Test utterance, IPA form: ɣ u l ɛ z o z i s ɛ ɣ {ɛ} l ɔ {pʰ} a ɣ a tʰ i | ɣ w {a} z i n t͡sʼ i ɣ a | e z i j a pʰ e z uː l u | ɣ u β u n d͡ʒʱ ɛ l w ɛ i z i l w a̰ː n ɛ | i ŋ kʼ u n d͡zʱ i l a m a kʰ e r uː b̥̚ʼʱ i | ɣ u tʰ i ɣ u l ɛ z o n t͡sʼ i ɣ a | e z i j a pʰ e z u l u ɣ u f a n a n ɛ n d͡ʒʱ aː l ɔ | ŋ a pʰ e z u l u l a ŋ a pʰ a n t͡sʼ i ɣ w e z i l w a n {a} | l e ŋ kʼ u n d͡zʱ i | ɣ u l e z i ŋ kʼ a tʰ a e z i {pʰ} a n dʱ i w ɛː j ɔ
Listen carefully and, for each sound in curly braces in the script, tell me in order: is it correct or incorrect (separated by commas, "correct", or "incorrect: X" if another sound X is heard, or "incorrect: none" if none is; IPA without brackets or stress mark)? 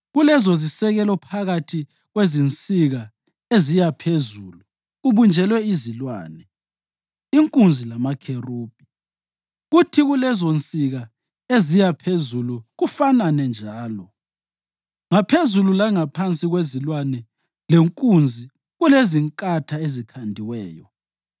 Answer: correct, correct, incorrect: e, incorrect: ɛ, incorrect: kʰ